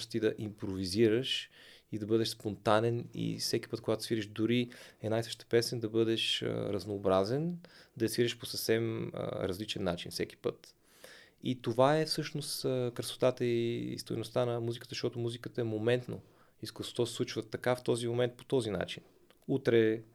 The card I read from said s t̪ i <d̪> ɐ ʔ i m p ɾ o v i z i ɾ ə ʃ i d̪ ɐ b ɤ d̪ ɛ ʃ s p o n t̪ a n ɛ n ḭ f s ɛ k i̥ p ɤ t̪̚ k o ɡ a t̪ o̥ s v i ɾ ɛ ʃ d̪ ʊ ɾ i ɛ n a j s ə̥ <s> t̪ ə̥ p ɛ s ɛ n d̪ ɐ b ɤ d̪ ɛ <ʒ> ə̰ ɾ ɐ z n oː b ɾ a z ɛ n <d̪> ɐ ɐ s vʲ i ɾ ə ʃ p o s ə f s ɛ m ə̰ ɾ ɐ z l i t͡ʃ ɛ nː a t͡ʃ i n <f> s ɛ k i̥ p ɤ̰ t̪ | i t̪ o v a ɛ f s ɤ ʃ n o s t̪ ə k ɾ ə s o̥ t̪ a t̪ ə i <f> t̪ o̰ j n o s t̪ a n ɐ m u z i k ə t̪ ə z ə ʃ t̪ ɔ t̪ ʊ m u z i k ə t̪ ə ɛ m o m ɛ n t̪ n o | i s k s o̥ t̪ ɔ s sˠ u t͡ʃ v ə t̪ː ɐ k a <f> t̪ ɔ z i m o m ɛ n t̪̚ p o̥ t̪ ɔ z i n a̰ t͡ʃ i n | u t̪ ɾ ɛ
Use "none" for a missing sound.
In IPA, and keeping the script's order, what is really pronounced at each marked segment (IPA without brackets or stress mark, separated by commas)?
d̪, ʃ, ʃ, d̪, f, s, f